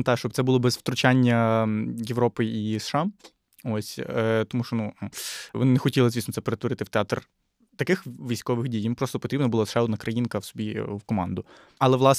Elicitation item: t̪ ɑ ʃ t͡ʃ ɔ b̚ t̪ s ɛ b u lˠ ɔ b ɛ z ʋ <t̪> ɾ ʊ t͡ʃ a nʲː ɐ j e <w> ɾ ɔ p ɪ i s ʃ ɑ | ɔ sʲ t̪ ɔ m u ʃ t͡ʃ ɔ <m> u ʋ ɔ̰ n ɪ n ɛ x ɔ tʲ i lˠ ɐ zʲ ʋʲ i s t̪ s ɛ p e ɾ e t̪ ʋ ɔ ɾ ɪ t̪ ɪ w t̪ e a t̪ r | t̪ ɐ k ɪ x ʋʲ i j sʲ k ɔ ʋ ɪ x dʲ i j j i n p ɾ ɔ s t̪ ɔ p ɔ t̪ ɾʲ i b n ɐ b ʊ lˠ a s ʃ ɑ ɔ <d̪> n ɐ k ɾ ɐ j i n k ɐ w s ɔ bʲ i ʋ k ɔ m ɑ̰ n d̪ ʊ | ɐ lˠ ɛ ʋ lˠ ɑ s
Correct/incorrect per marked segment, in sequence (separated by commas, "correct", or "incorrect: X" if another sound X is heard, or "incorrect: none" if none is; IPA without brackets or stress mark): correct, incorrect: ʋ, incorrect: n, correct